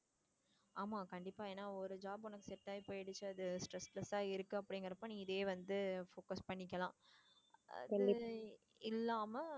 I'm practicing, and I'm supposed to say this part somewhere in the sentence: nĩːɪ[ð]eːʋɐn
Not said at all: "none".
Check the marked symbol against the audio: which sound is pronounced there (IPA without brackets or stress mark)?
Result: ð